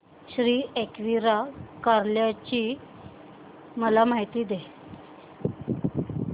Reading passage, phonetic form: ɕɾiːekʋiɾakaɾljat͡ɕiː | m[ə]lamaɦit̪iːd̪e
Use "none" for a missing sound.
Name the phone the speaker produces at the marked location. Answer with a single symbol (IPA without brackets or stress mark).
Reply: ə